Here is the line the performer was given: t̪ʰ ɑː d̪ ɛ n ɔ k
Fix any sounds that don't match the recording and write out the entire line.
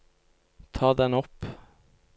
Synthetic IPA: t̪ʰ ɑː d̪ ɛ n ɔ p